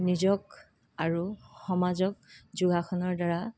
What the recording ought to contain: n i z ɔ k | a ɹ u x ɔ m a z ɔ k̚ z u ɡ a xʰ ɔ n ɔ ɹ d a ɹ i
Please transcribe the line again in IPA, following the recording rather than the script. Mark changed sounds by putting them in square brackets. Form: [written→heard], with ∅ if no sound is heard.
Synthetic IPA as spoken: n i z ɔ k | a ɹ u x ɔ m a z ɔ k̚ z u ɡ a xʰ ɔ n ɔ ɹ d a ɹ [i→a]